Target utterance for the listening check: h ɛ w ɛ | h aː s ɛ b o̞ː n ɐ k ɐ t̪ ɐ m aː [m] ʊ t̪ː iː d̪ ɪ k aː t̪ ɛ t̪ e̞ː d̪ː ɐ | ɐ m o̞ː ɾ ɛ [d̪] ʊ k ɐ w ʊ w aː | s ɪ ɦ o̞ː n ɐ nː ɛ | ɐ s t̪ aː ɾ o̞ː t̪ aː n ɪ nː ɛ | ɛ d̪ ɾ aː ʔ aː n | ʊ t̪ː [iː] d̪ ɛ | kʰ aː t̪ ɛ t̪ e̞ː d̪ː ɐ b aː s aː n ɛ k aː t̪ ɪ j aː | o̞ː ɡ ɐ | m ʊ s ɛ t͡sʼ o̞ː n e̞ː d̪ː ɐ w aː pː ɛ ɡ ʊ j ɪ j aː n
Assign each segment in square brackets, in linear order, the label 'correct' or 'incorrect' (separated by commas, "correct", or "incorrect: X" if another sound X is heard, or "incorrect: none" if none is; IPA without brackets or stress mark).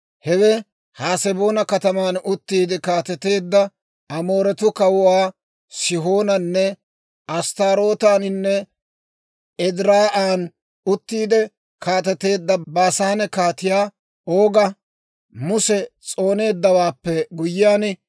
incorrect: n, incorrect: t̪, correct